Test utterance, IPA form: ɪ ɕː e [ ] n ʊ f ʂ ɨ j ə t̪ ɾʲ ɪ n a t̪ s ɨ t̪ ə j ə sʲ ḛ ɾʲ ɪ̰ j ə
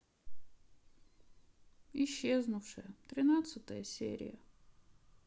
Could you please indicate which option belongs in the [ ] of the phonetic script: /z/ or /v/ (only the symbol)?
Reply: z